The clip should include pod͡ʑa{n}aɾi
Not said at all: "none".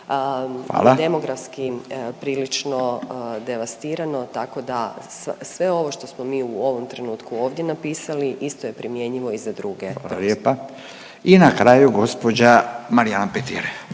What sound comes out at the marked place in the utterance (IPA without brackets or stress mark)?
m